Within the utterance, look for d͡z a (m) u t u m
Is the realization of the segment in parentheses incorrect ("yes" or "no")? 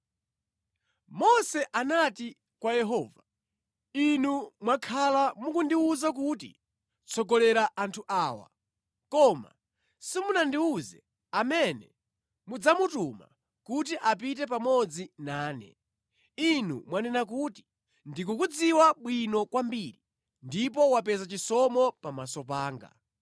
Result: no